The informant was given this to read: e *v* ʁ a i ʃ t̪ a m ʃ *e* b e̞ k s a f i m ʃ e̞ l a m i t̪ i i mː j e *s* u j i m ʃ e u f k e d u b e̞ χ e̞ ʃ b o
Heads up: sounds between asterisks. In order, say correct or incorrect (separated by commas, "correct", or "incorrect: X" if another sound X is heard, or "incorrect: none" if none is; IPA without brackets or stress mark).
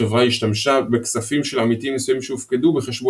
correct, incorrect: a, correct